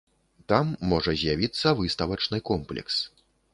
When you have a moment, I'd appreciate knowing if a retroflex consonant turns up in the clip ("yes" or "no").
yes